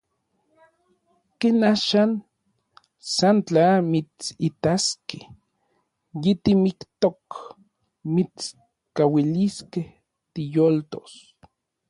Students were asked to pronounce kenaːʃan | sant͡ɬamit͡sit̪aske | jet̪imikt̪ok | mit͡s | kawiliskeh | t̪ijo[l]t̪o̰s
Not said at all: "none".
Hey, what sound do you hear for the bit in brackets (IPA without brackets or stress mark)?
l